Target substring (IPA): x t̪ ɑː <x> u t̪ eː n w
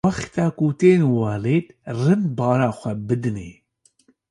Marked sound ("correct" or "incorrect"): incorrect